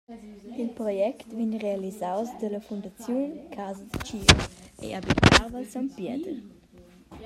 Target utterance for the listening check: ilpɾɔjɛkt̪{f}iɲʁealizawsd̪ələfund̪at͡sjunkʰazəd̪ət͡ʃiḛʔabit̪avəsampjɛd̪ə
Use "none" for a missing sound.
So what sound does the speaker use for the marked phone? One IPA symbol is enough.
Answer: v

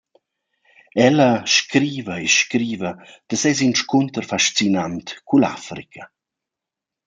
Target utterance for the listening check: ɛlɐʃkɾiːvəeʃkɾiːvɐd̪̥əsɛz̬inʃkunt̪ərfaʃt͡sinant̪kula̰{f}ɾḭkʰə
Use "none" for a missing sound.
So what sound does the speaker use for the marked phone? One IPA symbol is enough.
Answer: f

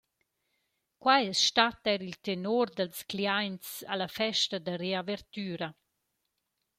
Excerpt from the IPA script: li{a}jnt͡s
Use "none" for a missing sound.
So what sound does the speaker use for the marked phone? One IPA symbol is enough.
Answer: a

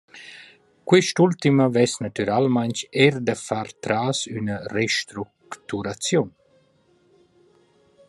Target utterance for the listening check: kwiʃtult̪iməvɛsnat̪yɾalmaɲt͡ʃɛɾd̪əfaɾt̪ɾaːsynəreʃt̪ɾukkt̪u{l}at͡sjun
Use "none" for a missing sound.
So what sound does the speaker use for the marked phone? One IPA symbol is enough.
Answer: ɾ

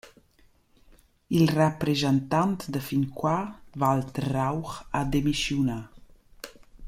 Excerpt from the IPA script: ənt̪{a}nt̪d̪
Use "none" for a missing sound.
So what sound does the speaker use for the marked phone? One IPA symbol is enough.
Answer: a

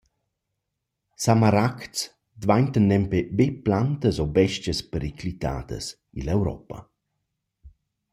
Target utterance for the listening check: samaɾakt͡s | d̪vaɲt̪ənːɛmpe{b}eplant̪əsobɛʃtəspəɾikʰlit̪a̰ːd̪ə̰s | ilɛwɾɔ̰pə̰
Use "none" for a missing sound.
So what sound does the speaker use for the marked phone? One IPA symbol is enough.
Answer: b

